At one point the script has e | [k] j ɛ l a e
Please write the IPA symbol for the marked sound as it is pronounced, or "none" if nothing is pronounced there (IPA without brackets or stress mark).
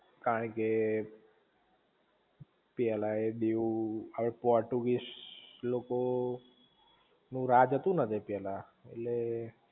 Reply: p